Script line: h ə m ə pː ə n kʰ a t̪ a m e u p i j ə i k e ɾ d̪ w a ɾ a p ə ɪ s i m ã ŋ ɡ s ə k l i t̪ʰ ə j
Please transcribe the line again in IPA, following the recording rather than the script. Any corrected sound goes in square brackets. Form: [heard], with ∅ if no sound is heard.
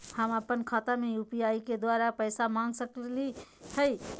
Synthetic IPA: h ə m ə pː ə n kʰ a t̪ a m e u p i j [a] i k e [∅] d̪ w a ɾ a p ə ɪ s [a] m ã ŋ ɡ s ə k l i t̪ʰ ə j